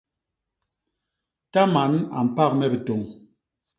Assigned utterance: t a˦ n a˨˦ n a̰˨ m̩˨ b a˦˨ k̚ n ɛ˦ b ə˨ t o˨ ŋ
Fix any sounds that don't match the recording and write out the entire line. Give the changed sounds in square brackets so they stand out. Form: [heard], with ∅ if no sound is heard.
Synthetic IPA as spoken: t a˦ [m] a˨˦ n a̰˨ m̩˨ [p] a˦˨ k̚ [m] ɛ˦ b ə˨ t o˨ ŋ